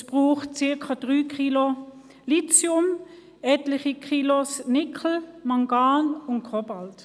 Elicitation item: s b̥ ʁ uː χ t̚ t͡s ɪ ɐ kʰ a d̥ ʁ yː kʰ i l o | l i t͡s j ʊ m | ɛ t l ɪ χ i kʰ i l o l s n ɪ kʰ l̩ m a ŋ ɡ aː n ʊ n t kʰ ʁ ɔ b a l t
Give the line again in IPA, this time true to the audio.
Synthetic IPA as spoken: s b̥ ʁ uː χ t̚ t͡s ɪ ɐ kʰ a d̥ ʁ yː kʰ i l o | l i t͡s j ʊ m | ɛ t l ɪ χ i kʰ i l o s n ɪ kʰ l̩ m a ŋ ɡ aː n ʊ n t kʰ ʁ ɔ b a l t